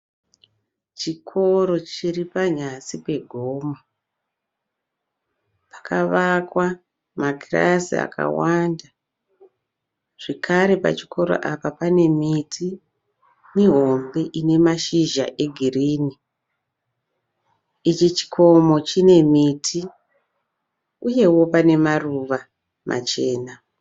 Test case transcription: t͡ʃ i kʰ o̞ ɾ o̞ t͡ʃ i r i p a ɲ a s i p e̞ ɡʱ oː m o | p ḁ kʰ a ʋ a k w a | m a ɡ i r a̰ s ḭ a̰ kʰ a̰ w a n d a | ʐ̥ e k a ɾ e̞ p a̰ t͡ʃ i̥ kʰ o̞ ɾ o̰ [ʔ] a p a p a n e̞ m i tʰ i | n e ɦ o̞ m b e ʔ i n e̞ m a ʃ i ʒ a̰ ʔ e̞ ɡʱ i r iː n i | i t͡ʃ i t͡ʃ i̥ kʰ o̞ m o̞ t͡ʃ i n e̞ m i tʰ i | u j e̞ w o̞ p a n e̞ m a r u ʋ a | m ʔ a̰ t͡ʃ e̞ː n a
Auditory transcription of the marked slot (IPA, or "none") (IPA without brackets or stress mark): ʔ